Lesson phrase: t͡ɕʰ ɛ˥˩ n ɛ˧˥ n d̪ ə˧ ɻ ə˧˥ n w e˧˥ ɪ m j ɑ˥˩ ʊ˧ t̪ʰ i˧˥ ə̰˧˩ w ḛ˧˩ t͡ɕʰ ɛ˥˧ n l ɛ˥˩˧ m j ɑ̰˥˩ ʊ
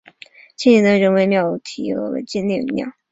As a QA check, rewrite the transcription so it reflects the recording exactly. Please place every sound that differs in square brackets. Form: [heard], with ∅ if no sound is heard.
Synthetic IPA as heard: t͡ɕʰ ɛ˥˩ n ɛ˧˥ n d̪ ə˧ ɻ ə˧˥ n w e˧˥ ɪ m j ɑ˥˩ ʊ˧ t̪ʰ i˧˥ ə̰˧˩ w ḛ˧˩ [t͡ɕ] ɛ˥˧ n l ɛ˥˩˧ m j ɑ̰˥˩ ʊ